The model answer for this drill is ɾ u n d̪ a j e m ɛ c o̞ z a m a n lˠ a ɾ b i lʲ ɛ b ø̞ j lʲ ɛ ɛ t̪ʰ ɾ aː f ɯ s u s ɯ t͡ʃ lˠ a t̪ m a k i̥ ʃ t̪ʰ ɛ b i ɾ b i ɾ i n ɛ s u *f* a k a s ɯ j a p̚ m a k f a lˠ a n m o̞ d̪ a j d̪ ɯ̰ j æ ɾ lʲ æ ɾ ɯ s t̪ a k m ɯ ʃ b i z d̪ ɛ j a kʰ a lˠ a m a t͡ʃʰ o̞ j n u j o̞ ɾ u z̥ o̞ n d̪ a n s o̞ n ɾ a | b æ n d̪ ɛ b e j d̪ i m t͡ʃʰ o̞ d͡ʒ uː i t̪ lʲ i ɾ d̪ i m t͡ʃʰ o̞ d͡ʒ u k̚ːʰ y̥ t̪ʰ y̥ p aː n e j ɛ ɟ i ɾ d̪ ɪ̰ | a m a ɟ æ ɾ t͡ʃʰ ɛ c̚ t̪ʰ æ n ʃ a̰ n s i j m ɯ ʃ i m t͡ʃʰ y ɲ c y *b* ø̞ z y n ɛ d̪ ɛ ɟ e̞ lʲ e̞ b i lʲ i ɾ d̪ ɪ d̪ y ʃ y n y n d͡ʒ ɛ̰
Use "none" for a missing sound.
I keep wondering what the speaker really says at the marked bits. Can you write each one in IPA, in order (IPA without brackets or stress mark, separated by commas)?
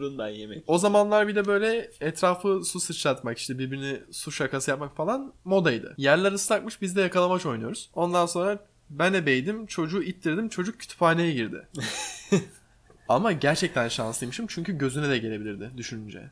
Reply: ʃ, ɟ